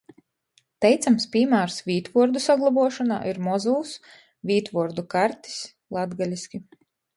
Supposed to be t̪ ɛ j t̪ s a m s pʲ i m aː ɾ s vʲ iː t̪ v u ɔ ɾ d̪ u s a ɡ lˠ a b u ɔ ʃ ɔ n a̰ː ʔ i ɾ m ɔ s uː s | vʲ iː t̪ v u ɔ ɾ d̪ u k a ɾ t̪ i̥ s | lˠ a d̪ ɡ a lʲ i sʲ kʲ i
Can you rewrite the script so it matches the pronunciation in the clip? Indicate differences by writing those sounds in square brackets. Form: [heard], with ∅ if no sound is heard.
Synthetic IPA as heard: t̪ ɛ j t̪ s a m s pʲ i m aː ɾ s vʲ iː t̪ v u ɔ ɾ d̪ u s a ɡ lˠ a b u ɔ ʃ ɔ n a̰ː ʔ i ɾ m ɔ [z] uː s | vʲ iː t̪ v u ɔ ɾ d̪ u k a ɾ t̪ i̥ s | lˠ a d̪ ɡ a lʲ i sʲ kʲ i